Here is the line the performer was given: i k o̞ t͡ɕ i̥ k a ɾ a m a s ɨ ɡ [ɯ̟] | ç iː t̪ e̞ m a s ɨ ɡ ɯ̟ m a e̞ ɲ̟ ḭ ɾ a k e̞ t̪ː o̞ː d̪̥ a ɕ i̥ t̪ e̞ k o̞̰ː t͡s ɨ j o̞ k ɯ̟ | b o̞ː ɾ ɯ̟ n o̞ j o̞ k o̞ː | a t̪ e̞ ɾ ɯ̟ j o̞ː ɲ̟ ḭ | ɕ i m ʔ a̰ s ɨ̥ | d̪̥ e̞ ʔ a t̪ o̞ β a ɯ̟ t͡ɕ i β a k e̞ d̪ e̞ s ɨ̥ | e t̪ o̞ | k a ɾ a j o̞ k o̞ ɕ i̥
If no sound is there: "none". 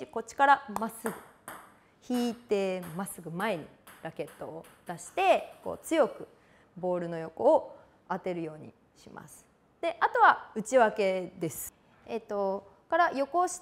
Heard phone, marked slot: ɯ̟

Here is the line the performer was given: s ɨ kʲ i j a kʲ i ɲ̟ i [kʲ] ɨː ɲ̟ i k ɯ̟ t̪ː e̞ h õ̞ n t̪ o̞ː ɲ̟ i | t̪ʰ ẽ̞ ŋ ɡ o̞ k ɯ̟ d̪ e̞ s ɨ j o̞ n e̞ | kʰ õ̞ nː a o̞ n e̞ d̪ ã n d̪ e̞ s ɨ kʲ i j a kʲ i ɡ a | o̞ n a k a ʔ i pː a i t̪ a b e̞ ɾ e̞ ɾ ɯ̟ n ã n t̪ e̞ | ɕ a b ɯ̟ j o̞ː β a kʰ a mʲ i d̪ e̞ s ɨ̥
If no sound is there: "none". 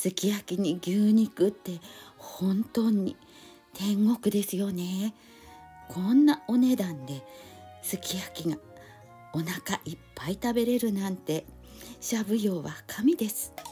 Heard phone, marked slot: ɡʲ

